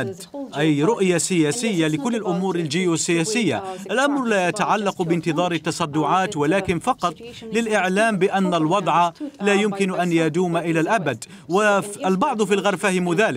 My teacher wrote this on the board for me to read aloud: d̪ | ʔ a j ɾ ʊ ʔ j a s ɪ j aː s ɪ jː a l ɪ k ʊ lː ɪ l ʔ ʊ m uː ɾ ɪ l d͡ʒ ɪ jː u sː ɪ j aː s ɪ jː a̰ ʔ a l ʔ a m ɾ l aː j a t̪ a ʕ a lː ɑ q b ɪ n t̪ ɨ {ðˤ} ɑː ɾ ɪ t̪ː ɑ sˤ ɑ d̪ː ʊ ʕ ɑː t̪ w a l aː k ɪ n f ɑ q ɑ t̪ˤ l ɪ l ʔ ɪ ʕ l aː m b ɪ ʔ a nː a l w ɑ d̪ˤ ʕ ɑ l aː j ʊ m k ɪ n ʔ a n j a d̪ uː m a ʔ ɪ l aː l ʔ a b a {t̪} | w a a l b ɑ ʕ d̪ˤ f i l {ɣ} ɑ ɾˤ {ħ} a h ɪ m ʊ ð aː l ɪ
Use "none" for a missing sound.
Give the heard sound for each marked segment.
ðˤ, d̪, ɣ, f

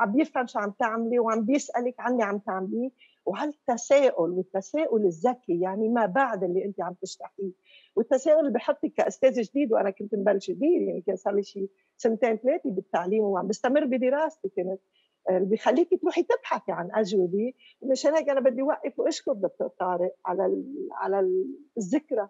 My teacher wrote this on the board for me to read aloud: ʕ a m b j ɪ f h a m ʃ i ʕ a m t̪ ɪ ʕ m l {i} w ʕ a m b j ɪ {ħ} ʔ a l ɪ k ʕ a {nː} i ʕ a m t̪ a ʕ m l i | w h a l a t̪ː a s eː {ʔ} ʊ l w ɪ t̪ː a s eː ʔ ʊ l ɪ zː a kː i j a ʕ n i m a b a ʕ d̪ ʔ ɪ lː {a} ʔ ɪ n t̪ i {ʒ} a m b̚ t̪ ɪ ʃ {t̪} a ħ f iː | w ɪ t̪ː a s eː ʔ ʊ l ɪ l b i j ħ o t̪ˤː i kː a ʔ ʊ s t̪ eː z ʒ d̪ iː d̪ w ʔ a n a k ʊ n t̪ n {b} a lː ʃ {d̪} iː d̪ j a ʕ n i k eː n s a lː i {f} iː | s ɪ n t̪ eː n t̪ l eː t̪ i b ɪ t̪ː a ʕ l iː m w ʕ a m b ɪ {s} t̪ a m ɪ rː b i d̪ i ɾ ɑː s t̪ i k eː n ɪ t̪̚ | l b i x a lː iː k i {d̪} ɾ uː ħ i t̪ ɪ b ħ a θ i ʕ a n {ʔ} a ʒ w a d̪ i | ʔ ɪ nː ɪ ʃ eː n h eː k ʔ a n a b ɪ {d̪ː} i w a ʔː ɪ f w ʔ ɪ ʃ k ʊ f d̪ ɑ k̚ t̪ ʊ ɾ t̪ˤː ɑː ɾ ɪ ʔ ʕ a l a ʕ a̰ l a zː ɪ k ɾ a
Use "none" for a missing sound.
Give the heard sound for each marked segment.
i, s, nː, ʔ, i, ʕ, t̪, b, d̪, ʃ, s, t̪, ʔ, d̪ː

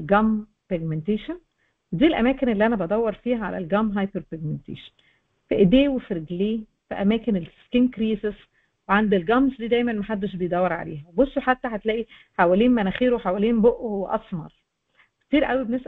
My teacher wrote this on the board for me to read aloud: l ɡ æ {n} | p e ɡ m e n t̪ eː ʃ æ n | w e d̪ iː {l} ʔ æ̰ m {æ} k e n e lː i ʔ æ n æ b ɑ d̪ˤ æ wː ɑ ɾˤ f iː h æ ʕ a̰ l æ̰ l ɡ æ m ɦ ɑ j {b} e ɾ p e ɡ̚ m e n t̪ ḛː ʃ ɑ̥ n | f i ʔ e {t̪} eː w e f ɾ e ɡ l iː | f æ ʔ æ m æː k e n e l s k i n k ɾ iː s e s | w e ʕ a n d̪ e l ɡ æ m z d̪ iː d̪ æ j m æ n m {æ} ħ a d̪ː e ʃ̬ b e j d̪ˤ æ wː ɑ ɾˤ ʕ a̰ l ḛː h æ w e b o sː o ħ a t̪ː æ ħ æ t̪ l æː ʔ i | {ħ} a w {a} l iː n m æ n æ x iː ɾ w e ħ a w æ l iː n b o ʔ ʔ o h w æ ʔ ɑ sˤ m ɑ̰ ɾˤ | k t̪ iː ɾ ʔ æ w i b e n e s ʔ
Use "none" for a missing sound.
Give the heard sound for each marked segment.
m, l, æː, p, d̪, æ, ħ, æ

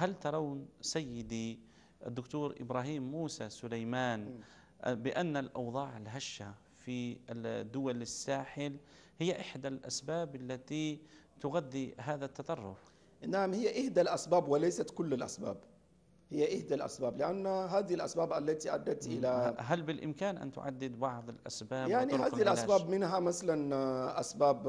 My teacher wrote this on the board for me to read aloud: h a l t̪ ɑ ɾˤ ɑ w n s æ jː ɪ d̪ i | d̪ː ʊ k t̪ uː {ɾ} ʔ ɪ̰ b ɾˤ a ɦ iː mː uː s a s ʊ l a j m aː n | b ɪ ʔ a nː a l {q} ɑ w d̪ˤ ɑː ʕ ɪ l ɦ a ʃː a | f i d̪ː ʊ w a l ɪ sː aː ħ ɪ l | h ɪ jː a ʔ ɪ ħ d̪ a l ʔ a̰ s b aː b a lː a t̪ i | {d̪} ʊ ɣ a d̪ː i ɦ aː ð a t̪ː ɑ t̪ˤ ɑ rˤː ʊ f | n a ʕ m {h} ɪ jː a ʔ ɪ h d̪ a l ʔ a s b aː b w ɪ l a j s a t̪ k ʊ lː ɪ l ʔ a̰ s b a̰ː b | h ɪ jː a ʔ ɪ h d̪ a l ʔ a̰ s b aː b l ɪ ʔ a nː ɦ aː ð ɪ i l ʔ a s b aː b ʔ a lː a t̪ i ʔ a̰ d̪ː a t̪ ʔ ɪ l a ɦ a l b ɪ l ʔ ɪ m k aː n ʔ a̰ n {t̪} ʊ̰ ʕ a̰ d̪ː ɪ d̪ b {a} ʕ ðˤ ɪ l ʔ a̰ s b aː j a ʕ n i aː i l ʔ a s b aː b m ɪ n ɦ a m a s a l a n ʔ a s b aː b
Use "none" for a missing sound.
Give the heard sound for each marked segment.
ɾ, ʔ, t̪, h, t̪, ɑ

